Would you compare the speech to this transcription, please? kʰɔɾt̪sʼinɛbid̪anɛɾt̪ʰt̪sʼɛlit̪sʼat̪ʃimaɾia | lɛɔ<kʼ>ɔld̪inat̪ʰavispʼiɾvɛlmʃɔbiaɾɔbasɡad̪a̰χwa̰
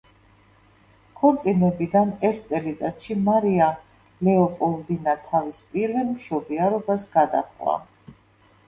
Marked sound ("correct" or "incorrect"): incorrect